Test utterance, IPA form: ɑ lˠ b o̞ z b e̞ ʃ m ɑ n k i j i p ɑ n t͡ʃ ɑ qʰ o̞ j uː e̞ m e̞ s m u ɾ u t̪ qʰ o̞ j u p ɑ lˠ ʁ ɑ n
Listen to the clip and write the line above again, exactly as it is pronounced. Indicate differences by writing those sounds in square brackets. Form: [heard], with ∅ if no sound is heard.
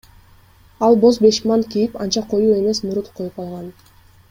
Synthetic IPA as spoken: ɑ lˠ b o̞ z b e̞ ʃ m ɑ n k i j i p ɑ n t͡ʃ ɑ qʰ o̞ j uː e̞ m e̞ s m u ɾ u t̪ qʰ o̞ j u p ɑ lˠ ʁ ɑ n